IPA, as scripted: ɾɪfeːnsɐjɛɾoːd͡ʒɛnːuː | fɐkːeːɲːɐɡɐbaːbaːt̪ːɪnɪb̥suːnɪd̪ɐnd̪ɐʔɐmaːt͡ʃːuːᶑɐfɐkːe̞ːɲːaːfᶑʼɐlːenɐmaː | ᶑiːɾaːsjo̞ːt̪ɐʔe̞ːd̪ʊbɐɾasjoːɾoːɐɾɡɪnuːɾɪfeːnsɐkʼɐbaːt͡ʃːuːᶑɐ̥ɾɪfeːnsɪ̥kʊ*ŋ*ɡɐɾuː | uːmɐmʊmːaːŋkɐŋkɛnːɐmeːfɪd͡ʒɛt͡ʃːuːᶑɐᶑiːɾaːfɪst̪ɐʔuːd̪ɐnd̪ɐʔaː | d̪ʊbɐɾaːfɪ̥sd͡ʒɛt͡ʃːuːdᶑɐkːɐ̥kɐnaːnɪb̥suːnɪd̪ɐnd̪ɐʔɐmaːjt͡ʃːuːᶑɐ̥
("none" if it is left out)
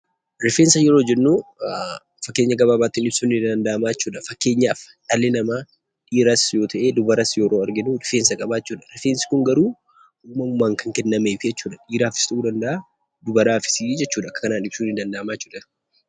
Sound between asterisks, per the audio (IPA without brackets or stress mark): ŋ